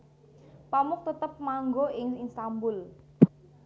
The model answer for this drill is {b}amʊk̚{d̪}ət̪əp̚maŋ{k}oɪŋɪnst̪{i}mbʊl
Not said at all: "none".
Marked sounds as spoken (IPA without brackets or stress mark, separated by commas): p, t̪, ɡ, a